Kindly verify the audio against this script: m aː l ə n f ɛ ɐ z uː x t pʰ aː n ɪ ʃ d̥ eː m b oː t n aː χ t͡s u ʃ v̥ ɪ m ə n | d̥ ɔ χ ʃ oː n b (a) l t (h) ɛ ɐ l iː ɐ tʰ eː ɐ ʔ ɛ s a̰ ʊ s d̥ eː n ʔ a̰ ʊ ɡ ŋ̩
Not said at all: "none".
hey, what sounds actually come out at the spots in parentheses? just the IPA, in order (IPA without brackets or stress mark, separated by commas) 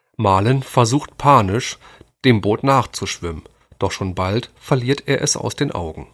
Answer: a, f